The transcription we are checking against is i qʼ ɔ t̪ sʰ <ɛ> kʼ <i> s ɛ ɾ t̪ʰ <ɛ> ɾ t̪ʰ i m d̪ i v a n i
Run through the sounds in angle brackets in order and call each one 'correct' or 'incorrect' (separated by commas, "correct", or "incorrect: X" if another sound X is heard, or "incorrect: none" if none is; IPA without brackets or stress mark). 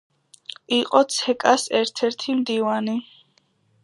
correct, incorrect: a, correct